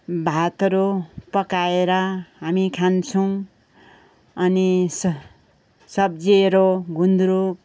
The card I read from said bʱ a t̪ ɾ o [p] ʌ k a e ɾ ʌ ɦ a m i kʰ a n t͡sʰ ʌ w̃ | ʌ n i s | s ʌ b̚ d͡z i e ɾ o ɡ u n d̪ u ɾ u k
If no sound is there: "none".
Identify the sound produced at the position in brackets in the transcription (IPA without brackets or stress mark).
p